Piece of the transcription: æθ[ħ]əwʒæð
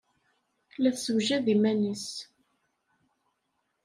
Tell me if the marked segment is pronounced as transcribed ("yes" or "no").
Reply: no